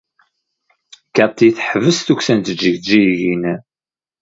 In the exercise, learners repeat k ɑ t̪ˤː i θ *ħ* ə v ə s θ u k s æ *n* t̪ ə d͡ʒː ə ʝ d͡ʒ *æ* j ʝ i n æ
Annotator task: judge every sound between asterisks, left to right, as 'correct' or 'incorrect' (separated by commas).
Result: correct, correct, incorrect